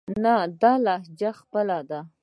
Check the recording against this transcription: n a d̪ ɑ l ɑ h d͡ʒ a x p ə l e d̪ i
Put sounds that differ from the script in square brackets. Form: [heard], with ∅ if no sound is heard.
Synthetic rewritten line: n a d̪ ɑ l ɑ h d͡ʒ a x p ə l [a] d̪ [a]